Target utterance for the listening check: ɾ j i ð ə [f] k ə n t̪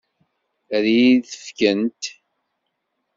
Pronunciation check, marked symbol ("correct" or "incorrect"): correct